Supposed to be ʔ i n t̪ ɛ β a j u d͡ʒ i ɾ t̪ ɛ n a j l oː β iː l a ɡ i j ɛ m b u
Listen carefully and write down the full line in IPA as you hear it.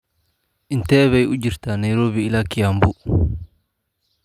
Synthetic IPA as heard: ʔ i n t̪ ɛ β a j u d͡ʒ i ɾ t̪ a n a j ɾ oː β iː l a k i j a m b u